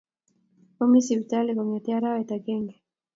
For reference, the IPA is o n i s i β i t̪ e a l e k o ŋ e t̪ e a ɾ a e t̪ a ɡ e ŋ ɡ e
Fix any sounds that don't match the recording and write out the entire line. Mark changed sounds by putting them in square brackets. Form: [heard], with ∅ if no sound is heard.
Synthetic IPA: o [m] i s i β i t̪ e a l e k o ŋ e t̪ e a ɾ a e t̪ a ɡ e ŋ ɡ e